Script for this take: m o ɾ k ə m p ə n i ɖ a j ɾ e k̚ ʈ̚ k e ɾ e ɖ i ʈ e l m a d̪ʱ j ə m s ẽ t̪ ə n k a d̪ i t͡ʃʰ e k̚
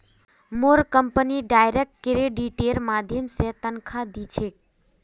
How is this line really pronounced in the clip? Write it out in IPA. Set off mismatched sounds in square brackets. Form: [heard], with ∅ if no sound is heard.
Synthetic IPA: m o ɾ k ə m p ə n i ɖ a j ɾ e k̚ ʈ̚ k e ɾ e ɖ i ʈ e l m a d̪ʱ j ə m s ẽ t̪ ə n [kʰ] a d̪ i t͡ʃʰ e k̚